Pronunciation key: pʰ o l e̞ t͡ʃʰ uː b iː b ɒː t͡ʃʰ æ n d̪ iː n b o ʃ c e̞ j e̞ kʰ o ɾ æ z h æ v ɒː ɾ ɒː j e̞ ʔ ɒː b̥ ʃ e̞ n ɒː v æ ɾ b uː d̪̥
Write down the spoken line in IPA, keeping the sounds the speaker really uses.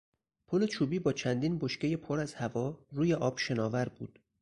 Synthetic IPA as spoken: pʰ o l e̞ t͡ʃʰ uː b iː b ɒː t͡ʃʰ æ n d̪ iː n b o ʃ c e̞ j e̞ pʰ o ɾ æ z h æ v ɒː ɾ uː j e̞ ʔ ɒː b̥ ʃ e̞ n ɒː v æ ɾ b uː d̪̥